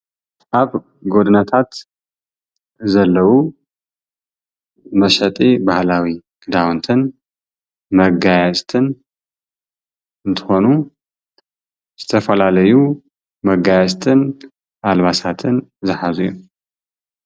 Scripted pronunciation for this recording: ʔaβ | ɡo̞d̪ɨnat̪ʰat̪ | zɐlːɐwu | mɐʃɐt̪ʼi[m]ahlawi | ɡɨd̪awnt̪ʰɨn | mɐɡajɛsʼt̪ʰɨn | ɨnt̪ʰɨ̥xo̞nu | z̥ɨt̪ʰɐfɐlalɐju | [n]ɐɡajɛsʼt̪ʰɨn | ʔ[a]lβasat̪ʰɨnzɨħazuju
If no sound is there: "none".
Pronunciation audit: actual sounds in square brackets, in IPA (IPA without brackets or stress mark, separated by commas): b, m, a